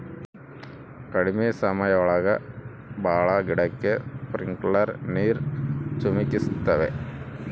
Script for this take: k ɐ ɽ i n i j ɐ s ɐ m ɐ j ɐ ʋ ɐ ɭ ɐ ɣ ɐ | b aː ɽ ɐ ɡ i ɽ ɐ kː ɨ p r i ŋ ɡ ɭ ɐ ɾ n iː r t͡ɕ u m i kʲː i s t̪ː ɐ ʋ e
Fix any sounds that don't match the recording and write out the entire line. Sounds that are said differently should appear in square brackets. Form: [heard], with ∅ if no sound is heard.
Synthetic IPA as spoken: k ɐ ɽ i [m] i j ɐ s ɐ m ɐ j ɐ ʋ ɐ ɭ ɐ ɣ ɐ | b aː [ɭ] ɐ ɡ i ɽ ɐ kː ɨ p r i ŋ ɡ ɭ ɐ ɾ n iː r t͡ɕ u m i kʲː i s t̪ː ɐ ʋ e